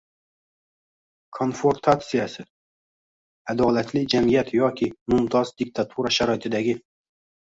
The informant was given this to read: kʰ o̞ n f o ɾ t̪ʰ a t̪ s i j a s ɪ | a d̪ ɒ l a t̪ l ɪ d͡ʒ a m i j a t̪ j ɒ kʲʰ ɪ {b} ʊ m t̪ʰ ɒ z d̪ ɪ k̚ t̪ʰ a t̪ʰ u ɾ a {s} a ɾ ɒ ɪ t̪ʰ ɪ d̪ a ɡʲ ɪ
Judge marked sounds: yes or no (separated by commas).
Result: no, no